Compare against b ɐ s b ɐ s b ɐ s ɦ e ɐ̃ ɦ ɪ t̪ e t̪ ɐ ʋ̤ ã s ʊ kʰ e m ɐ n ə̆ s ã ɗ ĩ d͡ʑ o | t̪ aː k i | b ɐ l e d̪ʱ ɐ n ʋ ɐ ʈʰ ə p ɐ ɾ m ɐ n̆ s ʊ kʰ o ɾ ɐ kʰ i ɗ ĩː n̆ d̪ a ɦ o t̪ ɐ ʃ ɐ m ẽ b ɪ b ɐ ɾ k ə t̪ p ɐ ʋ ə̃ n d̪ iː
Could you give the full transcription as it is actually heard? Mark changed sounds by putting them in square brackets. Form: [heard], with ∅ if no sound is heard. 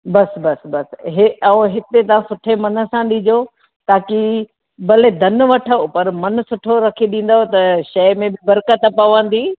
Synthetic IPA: b ɐ s b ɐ s b ɐ s ɦ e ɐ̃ ɦ ɪ t̪ e t̪ ɐ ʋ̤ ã s ʊ [ʈʰ] e m ɐ n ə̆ s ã ɗ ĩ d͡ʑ o | t̪ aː k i | b ɐ l e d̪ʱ ɐ n ʋ ɐ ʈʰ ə p ɐ ɾ m ɐ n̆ s ʊ [ʈʰ] o ɾ ɐ kʰ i ɗ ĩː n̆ d̪ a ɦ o t̪ ɐ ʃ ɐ m ẽ b ɪ b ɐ ɾ k ə t̪ p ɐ ʋ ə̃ n d̪ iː

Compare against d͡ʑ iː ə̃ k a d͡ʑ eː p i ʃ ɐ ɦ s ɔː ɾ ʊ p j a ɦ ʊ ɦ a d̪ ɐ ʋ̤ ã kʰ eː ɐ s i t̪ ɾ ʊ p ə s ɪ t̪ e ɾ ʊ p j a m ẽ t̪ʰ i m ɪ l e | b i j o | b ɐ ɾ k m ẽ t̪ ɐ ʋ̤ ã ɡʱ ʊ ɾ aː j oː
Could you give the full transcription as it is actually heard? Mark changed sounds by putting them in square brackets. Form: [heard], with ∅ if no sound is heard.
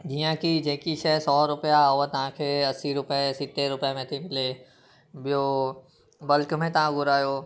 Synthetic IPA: d͡ʑ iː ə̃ k [i] d͡ʑ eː [k] i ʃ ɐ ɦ s ɔː ɾ ʊ p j a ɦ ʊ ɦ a [t̪] ɐ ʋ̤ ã kʰ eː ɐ s i [∅] ɾ ʊ p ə s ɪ t̪ e ɾ ʊ p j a m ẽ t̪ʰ i m ɪ l e | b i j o | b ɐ [l] k m ẽ t̪ ɐ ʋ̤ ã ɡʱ ʊ ɾ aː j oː

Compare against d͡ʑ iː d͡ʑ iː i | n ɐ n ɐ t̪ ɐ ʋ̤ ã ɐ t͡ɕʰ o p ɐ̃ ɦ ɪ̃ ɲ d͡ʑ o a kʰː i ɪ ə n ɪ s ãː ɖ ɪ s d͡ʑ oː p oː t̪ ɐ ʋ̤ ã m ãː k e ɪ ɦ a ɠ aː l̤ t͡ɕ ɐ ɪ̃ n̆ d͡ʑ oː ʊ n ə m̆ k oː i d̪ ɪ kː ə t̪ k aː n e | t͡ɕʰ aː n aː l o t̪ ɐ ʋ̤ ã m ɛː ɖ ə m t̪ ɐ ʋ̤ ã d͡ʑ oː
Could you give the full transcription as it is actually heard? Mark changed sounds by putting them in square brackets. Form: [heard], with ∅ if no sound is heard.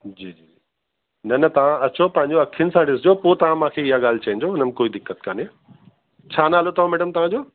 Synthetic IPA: d͡ʑ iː d͡ʑ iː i | n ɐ n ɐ t̪ ɐ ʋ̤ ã ɐ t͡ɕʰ o p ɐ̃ ɦ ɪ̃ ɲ d͡ʑ o [ɐ] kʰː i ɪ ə n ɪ s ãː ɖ ɪ s d͡ʑ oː p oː t̪ ɐ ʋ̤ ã m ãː [kʰ] e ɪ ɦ a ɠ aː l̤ t͡ɕ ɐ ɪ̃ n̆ d͡ʑ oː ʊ n ə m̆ k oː i d̪ ɪ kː ə t̪ k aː n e | t͡ɕʰ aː n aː l o t̪ ɐ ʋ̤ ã m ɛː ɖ ə m t̪ ɐ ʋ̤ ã d͡ʑ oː

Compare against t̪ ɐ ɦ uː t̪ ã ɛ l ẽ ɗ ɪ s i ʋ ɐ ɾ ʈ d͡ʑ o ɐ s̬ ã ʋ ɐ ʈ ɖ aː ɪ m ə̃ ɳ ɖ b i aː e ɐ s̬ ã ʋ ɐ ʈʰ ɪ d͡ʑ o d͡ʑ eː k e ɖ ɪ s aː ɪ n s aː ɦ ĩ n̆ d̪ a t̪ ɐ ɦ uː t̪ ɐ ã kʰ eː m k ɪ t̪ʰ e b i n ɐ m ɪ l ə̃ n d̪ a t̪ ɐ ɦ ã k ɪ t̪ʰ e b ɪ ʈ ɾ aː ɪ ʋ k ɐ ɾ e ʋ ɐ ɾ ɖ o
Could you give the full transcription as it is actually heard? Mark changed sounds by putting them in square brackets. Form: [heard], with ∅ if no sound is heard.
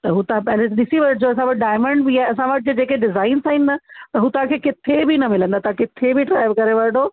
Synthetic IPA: t̪ ɐ ɦ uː t̪ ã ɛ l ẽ ɗ ɪ s i ʋ ɐ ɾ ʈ d͡ʑ o ɐ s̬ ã ʋ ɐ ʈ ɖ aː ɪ m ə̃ ɳ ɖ b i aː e ɐ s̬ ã ʋ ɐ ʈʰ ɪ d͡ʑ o d͡ʑ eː k e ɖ ɪ [z] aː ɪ n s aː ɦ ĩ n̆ d̪ a t̪ ɐ ɦ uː t̪ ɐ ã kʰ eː [∅] k ɪ t̪ʰ e b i n ɐ m ɪ l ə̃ n d̪ a t̪ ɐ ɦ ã k ɪ t̪ʰ e b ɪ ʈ ɾ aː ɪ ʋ k ɐ ɾ e ʋ ɐ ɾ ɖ o

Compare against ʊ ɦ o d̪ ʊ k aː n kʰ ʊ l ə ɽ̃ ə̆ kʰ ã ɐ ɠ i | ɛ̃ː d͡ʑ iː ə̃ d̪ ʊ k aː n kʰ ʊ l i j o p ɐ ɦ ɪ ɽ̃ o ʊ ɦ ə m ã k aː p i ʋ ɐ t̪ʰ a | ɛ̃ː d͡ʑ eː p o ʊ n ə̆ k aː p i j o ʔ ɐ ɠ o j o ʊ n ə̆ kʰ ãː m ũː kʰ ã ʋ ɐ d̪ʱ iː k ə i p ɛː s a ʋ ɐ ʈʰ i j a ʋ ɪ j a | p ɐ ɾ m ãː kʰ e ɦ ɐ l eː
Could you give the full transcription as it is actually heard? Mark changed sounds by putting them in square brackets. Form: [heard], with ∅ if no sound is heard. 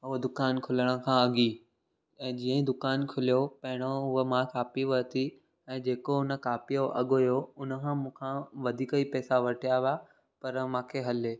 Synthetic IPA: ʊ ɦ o d̪ ʊ k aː n kʰ ʊ l ə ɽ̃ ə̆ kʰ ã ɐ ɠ i | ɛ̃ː d͡ʑ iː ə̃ d̪ ʊ k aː n kʰ ʊ l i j o p ɐ ɦ ɪ ɽ̃ o ʊ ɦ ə m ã k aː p i ʋ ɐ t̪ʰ [i] | ɛ̃ː d͡ʑ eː [k] o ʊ n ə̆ k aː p i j o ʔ ɐ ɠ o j o ʊ n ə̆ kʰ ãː m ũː kʰ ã ʋ ɐ d̪ʱ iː k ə i p ɛː s a ʋ ɐ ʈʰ i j a ʋ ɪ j a | p ɐ ɾ m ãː kʰ e ɦ ɐ l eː

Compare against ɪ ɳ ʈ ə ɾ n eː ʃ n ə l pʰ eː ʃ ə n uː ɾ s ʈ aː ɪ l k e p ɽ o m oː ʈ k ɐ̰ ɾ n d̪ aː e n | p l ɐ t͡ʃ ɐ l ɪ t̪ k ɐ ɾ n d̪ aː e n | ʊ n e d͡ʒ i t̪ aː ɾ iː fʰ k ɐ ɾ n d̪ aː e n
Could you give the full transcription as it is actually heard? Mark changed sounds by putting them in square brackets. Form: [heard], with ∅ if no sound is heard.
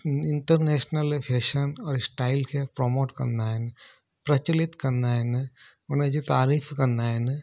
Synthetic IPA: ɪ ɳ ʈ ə ɾ n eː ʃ n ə l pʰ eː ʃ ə n [ɔː] ɾ s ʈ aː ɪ l k e p [ɾ] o m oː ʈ k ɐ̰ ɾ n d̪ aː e n | p [ɾ] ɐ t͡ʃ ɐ l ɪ t̪ k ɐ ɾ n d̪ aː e n | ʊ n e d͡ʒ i t̪ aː ɾ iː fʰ k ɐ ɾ n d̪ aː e n

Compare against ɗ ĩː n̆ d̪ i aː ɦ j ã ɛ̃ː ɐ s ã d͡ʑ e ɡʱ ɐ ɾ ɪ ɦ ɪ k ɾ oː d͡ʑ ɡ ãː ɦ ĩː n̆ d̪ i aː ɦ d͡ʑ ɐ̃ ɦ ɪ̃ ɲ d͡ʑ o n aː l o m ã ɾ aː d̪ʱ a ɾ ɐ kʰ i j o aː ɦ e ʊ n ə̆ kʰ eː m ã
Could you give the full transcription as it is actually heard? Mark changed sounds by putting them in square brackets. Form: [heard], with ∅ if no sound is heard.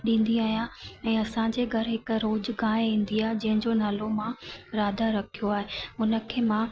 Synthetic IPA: ɗ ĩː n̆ d̪ i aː ɦ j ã ɛ̃ː ɐ s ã d͡ʑ e ɡʱ ɐ ɾ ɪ ɦ ɪ k ɾ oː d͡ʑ ɡ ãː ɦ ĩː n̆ d̪ i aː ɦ d͡ʑ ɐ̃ ɦ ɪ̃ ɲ d͡ʑ o n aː l o m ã ɾ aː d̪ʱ a ɾ ɐ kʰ i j o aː ɦ e ʊ n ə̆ kʰ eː m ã

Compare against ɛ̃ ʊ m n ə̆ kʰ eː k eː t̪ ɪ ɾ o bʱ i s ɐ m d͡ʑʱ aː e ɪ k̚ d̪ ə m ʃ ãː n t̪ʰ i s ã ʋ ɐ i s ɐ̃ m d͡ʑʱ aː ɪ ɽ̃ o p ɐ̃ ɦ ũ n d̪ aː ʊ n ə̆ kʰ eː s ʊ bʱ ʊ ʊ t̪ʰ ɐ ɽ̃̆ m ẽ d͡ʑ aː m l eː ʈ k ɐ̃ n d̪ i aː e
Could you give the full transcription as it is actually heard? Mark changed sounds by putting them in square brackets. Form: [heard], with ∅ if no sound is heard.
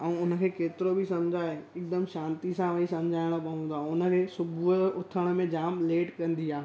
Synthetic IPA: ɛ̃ ʊ [∅] n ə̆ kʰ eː k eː t̪ ɪ ɾ o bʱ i s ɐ m d͡ʑʱ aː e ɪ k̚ d̪ ə m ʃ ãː n [t̪] i s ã ʋ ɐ i s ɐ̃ m d͡ʑʱ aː ɪ ɽ̃ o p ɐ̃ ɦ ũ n d̪ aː ʊ n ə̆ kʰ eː s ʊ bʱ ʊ ʊ t̪ʰ [ə] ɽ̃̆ m ẽ d͡ʑ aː m l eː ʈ k ɐ̃ n d̪ i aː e

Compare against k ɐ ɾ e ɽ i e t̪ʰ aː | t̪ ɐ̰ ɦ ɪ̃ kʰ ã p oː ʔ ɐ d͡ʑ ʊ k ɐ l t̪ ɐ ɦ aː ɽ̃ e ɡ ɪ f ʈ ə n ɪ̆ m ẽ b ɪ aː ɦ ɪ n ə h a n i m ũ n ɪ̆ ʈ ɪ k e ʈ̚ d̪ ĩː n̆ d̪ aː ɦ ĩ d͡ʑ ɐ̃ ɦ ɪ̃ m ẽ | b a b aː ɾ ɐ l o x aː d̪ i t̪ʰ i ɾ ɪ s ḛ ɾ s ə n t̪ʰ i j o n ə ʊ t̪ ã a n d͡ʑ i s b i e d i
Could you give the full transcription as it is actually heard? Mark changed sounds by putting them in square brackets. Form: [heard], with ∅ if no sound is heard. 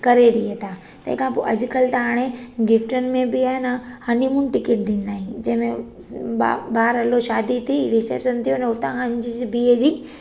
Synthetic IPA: k ɐ ɾ e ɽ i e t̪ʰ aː | t̪ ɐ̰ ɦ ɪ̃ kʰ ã p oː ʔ ɐ d͡ʑ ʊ k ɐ l t̪ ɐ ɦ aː ɽ̃ e ɡ ɪ f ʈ ə n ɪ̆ m ẽ b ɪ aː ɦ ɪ n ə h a n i m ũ n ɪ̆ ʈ ɪ k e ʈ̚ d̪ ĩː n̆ d̪ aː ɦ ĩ d͡ʑ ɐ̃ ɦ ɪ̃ m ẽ | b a b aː ɾ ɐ l o [ʃ] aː d̪ i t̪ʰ i ɾ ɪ s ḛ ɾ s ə n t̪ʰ i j o n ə ʊ t̪ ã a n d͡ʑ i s b i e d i

